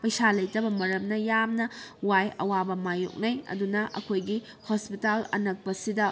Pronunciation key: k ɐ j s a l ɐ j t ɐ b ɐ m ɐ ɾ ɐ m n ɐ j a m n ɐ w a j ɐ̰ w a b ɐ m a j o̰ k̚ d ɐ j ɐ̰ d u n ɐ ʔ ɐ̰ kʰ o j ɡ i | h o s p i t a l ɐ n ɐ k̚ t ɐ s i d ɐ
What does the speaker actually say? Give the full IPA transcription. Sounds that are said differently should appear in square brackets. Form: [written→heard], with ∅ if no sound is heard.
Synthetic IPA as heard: [k→p] ɐ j s a l ɐ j t ɐ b ɐ m ɐ ɾ ɐ m n ɐ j a m n ɐ w a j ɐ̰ w a b ɐ m a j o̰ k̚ [d→n] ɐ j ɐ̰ d u n ɐ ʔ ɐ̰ kʰ o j ɡ i | h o s p i t a l ɐ n ɐ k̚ [t→p] ɐ s i d ɐ